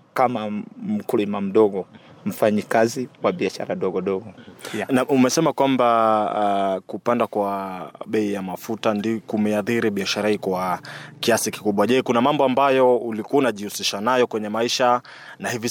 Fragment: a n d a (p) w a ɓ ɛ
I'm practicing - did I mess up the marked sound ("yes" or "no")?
yes